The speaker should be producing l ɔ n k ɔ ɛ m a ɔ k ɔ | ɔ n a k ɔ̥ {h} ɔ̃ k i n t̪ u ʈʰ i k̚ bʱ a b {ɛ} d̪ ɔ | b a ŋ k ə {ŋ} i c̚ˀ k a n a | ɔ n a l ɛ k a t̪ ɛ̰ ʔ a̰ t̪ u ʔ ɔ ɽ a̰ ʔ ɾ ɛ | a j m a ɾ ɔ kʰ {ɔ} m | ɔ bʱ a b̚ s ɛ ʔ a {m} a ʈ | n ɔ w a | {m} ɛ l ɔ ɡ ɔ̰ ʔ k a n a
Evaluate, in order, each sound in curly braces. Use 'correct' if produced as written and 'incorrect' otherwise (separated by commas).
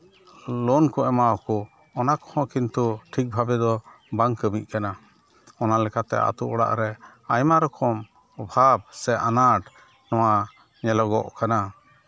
correct, correct, incorrect, correct, incorrect, incorrect